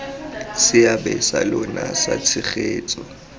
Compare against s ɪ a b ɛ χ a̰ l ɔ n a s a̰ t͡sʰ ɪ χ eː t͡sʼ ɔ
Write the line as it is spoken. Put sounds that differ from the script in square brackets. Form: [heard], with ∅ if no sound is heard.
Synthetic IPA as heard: s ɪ a b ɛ [s] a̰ l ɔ n a s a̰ t͡sʰ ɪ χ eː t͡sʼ ɔ